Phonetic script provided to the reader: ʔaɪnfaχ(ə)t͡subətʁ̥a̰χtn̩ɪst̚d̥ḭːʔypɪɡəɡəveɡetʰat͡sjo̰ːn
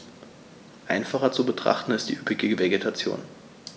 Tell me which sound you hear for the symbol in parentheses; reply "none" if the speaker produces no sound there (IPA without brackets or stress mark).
ɐ